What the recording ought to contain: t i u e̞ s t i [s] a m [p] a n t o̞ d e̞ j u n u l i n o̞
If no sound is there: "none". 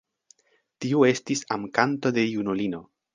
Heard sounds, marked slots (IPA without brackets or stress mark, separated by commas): s, k